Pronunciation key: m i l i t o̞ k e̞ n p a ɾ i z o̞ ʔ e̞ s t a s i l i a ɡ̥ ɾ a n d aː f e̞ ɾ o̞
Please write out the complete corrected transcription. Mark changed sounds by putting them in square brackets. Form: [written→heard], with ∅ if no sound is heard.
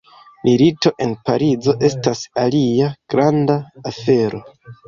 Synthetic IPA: m i l i t o̞ [k→ʔ] e̞ n p a ɾ i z o̞ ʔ e̞ s t a s [i→a] l i a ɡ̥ ɾ a n d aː f e̞ ɾ o̞